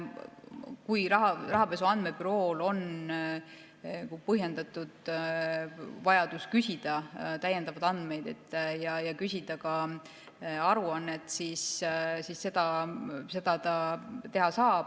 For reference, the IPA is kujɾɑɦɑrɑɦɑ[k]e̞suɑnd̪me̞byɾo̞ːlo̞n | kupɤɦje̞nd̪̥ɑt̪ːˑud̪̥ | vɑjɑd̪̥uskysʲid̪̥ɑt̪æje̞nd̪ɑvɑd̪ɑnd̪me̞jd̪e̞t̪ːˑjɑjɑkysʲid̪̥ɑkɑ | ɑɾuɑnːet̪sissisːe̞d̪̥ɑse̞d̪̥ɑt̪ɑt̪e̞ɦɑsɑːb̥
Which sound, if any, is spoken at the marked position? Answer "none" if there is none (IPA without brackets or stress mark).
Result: p